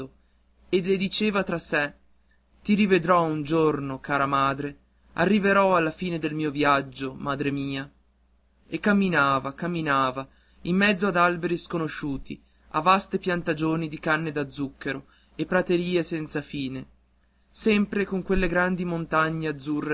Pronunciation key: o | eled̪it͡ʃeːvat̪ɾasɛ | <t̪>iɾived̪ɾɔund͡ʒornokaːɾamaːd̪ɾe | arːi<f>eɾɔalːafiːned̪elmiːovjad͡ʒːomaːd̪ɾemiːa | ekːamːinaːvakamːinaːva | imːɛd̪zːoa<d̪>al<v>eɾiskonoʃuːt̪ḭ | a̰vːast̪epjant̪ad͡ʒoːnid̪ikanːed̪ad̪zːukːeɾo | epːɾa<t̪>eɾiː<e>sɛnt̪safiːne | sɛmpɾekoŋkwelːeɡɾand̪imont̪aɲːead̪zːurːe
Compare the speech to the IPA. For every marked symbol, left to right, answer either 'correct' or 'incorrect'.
correct, incorrect: v, correct, incorrect: b, correct, correct

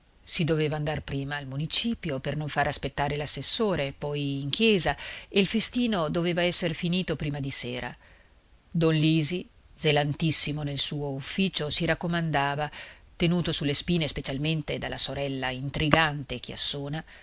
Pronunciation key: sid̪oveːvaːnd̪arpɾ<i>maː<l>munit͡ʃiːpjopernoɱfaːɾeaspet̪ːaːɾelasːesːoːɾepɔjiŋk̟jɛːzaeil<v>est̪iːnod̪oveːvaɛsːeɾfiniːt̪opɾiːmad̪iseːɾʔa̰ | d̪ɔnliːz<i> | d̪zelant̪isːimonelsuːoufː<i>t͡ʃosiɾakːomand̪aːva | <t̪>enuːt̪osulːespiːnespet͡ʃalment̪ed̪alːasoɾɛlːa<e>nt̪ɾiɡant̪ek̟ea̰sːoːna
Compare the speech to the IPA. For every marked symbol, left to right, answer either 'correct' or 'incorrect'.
incorrect: iː, correct, incorrect: f, correct, incorrect: iː, correct, incorrect: i

